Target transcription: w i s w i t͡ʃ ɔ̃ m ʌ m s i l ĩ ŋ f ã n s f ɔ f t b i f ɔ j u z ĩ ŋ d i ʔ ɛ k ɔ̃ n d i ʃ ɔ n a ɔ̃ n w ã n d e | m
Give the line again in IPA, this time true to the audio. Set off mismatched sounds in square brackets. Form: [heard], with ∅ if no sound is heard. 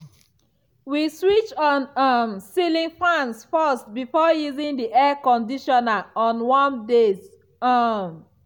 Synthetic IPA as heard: w i s w i t͡ʃ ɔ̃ [n] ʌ m s i l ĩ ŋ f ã n s f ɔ [s] t b i f ɔ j u z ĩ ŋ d i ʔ ɛ k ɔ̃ n d i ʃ ɔ n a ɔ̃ n w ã n d e | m